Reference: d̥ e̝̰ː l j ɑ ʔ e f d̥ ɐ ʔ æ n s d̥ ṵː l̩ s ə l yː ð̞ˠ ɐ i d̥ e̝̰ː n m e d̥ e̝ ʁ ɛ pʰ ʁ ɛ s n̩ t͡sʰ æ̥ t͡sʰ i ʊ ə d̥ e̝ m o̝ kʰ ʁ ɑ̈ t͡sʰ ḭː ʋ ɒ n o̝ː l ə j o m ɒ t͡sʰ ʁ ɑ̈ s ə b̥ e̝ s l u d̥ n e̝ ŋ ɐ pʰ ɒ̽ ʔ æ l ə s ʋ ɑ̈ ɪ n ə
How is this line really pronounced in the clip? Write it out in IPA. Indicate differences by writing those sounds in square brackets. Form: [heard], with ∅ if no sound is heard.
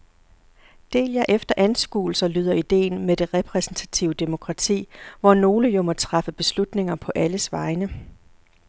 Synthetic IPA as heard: d̥ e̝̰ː l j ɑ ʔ e f d̥ ɐ ʔ æ n s [ɡ̥] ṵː l̩ s [ɐ] l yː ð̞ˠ ɐ i d̥ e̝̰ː n m e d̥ e̝ ʁ ɛ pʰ ʁ ɛ s n̩ t͡sʰ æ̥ t͡sʰ i ʊ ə d̥ e̝ m o̝ kʰ ʁ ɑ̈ t͡sʰ ḭː ʋ ɒ n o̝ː l ə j o m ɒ t͡sʰ ʁ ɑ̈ [f] ə b̥ e̝ s l u d̥ n e̝ ŋ ɐ pʰ ɒ̽ ʔ æ l ə s ʋ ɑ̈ ɪ n ə